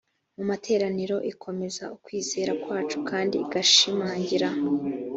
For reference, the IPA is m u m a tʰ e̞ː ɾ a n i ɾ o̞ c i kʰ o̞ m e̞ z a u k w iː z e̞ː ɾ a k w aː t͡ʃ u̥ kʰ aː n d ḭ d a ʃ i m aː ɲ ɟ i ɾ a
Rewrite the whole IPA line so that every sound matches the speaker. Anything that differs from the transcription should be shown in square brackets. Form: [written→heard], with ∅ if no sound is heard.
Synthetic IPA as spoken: m u m a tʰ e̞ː ɾ a n i ɾ o̞ [c→ʔ] i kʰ o̞ m e̞ z a u k w iː z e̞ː ɾ a k w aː t͡ʃ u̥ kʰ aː n d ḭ [d→ɡ] a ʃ i m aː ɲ ɟ i ɾ a